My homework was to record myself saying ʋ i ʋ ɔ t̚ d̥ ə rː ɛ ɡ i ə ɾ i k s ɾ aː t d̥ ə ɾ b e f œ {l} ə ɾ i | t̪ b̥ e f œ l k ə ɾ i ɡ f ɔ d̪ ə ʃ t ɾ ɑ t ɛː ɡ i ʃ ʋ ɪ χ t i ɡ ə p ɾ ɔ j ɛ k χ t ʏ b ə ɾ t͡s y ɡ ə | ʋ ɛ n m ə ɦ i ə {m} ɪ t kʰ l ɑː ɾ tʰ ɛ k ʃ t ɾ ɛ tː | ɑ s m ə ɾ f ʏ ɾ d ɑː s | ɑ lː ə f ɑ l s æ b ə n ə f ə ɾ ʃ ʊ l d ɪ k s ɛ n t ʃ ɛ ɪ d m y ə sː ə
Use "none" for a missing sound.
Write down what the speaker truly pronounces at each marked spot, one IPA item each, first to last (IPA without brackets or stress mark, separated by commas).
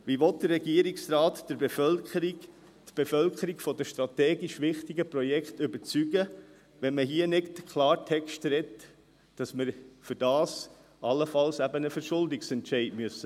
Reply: l, n